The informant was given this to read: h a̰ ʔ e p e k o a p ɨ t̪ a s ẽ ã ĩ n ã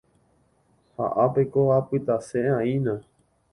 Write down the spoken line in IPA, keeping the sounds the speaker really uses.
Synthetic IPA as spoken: h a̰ ʔ a p e k o a p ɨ t̪ a s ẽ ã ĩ n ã